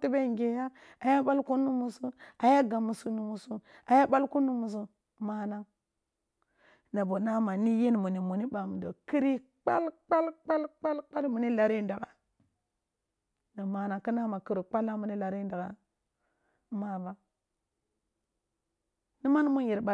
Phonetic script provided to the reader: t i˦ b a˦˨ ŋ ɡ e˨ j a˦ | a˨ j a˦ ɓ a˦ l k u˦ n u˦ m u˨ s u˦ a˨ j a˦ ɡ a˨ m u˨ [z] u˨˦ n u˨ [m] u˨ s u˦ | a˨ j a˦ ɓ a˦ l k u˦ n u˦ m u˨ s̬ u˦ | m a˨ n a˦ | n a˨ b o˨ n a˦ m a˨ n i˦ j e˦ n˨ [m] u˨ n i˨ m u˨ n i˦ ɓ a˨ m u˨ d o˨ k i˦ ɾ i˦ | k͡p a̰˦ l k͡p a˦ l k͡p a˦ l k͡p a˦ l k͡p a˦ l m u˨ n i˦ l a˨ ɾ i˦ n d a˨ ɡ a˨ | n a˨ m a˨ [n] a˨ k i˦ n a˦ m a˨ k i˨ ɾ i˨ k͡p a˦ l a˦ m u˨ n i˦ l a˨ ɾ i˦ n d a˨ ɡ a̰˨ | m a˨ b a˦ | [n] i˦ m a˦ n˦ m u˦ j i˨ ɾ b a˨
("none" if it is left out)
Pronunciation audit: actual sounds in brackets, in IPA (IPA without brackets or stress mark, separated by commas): s, m, m, n, n